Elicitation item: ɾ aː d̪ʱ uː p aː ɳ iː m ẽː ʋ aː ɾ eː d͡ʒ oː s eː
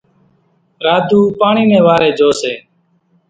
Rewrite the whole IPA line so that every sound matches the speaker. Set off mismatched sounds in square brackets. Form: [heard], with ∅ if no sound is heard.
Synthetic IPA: ɾ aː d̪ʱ uː p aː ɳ iː m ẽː ʋ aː ɾ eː d͡ʒ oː s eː